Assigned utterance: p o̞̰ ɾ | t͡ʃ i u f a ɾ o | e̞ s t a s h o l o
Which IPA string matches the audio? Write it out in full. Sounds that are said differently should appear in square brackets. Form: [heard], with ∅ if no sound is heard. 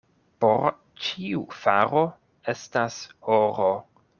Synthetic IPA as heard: p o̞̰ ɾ | t͡ʃ i u f a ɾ o | e̞ s t a s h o [ɾ] o